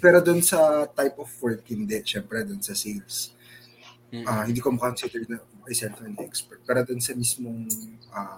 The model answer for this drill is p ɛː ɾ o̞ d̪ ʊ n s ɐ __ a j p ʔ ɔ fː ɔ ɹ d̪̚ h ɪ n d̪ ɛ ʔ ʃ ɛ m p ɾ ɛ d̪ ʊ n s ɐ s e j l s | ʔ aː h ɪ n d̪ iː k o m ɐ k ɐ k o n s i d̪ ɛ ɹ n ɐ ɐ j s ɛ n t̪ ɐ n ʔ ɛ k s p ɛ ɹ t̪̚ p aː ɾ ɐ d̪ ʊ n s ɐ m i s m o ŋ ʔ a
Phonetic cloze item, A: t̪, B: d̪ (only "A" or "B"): A